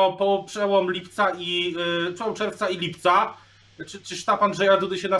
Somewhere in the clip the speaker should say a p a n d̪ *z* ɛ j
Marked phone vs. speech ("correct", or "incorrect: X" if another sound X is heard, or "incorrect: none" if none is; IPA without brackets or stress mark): incorrect: ʐ